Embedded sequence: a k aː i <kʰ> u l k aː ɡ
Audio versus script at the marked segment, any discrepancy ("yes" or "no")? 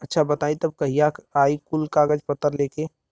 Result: yes